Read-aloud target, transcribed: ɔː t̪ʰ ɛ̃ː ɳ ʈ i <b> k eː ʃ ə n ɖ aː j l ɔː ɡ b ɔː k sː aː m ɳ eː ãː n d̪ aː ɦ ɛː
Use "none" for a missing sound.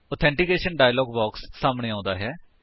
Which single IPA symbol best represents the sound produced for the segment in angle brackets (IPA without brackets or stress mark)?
none